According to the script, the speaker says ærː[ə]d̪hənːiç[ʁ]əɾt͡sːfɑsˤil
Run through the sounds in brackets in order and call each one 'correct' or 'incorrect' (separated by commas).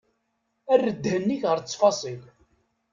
correct, correct